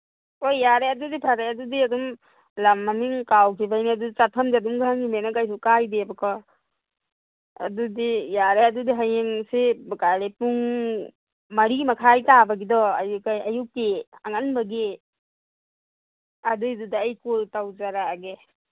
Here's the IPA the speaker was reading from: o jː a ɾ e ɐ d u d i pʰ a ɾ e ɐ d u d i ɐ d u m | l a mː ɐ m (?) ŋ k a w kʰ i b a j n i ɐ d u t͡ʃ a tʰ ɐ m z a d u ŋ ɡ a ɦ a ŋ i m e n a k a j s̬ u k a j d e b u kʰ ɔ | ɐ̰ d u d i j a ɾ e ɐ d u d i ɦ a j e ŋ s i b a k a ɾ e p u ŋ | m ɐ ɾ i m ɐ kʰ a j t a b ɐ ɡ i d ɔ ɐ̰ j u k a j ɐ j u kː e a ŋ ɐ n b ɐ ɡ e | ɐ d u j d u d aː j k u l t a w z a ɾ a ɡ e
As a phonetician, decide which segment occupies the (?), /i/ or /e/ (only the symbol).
i